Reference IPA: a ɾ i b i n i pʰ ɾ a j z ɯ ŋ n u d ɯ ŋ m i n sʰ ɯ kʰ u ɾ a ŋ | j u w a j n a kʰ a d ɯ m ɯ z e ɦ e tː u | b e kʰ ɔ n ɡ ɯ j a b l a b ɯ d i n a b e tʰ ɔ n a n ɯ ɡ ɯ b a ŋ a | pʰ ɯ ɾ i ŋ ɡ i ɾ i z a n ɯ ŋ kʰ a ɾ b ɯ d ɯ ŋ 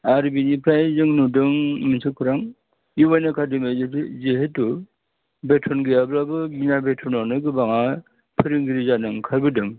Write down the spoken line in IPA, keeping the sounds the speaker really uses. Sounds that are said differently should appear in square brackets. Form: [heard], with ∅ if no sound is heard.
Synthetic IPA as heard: a ɾ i b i n i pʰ ɾ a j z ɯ ŋ n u d ɯ ŋ m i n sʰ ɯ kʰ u ɾ a ŋ | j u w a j n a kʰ a d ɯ m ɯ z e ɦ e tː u | b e [tʰ] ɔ n ɡ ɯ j a b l a b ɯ [ɡ] i n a b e tʰ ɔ n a n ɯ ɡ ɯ b a ŋ a | pʰ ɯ ɾ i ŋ ɡ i ɾ i z a n ɯ ŋ kʰ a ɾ b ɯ d ɯ ŋ